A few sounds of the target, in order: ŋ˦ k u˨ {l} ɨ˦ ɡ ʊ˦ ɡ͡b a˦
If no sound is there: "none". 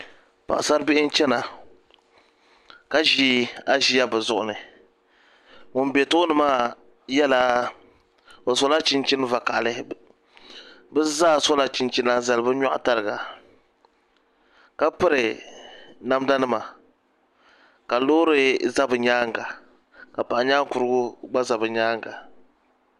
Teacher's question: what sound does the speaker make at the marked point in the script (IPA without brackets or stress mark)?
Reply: ɾ